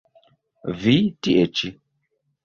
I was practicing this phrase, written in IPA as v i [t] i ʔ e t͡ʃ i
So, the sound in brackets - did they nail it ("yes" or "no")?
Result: yes